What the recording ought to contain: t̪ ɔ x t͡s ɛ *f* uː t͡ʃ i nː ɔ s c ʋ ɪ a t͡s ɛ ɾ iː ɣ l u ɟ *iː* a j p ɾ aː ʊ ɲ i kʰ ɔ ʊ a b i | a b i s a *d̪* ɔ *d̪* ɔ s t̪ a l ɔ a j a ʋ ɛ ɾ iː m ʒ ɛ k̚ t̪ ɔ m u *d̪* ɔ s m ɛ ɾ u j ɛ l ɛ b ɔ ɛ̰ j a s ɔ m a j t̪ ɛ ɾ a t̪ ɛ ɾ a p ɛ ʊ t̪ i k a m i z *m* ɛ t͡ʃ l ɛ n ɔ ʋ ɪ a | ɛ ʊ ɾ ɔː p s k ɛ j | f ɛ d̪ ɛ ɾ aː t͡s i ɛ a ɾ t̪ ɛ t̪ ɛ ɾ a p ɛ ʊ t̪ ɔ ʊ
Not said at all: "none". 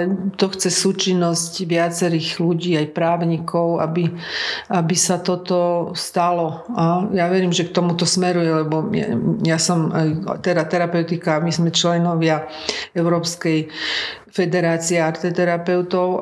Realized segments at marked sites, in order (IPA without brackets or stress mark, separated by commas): s, iː, t̪, t̪, t̪, m